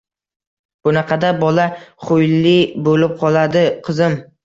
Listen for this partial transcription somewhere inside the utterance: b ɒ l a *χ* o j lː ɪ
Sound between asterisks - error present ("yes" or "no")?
no